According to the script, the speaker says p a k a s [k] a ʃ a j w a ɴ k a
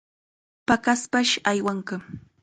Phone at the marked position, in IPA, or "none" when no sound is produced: p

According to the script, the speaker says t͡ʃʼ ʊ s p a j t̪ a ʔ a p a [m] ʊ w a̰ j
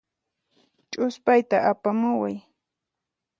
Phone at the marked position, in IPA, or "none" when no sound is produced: m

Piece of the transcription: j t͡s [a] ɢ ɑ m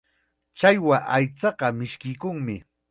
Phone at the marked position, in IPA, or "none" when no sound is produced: ɑ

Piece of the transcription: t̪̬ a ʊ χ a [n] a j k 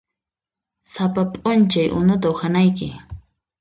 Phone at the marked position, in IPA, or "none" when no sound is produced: n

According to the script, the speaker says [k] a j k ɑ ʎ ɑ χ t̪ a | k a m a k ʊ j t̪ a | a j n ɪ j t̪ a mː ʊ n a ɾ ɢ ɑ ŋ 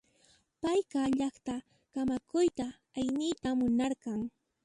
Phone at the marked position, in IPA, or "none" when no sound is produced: p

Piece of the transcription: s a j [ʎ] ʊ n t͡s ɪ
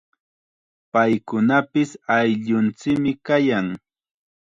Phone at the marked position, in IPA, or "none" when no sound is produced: ʎ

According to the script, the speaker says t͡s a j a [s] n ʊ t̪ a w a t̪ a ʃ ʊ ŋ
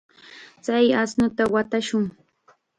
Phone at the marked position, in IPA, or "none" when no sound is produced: s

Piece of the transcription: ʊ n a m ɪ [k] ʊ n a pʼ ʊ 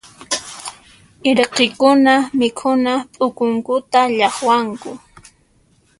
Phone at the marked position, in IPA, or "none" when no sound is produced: kʰ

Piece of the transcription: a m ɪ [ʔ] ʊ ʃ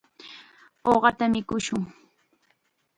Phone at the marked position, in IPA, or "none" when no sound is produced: k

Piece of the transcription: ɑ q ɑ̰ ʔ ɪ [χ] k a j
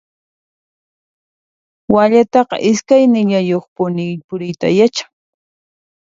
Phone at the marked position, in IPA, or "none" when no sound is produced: s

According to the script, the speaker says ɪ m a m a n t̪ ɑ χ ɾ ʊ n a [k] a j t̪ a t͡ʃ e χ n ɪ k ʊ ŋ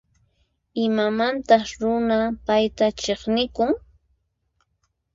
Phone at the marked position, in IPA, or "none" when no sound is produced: p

